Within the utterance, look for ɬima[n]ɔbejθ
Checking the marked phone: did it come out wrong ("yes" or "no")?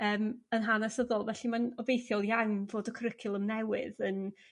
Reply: no